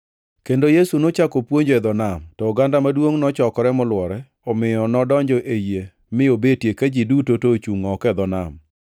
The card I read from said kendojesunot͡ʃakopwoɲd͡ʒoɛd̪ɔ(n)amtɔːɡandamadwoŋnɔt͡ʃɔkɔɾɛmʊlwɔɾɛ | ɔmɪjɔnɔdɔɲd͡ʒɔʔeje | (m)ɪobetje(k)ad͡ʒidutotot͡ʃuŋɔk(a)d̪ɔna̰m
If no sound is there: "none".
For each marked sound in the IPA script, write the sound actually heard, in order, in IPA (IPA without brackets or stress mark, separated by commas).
n, m, k, ɛ